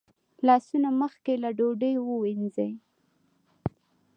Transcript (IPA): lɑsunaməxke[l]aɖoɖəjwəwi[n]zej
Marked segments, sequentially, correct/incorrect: correct, correct

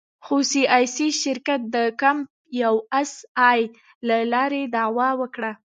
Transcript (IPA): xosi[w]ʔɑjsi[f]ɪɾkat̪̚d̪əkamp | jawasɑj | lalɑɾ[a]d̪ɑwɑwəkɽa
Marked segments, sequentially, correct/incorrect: incorrect, incorrect, incorrect

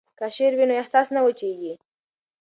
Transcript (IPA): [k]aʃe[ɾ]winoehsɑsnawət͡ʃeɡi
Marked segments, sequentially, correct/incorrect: correct, correct

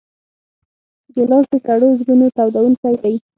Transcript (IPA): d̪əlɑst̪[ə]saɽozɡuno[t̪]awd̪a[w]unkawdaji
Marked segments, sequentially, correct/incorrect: correct, correct, correct

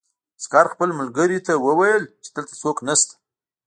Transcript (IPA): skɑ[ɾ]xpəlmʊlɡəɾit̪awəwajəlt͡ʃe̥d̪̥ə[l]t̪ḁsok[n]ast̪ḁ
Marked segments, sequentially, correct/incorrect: correct, correct, correct

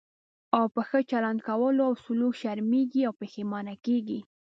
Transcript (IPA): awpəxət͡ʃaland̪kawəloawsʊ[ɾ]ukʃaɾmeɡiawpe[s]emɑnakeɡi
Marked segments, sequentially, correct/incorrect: incorrect, incorrect

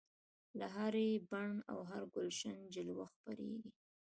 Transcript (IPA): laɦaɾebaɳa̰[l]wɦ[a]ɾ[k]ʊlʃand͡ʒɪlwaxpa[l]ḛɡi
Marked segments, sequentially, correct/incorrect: incorrect, correct, incorrect, incorrect

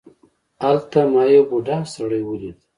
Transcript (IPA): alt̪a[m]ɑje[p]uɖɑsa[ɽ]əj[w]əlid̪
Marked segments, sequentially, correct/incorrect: correct, incorrect, correct, correct

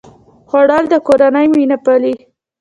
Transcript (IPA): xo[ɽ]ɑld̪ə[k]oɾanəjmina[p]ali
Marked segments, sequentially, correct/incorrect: correct, correct, correct

